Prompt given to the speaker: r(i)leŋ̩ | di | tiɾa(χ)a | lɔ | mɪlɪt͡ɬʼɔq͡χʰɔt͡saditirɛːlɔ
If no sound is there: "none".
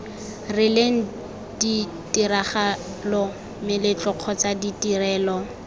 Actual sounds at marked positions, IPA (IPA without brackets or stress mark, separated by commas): ɪ, χ